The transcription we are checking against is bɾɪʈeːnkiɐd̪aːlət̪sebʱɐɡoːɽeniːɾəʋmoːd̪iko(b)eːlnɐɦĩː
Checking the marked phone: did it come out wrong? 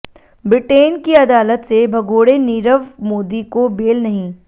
no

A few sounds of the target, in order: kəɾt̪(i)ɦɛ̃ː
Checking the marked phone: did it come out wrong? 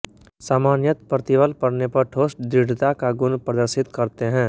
yes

